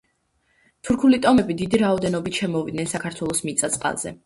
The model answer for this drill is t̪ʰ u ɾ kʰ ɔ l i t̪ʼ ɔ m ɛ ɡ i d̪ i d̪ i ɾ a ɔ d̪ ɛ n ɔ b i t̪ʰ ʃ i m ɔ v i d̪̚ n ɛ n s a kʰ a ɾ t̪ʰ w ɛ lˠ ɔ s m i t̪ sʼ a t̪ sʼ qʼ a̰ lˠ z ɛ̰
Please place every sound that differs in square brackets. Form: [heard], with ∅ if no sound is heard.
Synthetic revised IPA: t̪ʰ u ɾ kʰ [u] l i t̪ʼ ɔ m ɛ [b] i d̪ i d̪ i ɾ a ɔ d̪ ɛ n ɔ b i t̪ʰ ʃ [ɛ] m ɔ v i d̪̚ n ɛ n s a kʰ a ɾ t̪ʰ w ɛ lˠ ɔ s m i t̪ sʼ a t̪ sʼ qʼ a̰ lˠ z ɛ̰